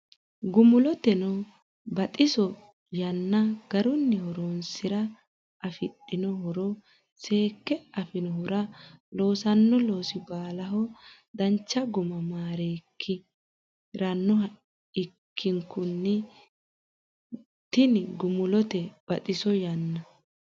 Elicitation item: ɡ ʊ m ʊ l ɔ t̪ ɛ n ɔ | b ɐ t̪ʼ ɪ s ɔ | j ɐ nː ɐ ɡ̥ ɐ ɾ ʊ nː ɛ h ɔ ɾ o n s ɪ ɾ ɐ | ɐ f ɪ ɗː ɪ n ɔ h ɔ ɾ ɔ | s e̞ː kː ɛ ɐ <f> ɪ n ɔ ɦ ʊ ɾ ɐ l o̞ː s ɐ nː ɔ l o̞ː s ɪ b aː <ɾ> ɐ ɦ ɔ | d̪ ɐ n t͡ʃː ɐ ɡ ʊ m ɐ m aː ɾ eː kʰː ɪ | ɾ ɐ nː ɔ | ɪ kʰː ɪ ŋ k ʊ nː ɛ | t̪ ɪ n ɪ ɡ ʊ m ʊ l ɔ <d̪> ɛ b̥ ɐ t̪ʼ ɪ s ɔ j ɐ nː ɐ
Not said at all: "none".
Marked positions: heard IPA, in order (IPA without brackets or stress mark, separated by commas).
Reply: f, l, t̪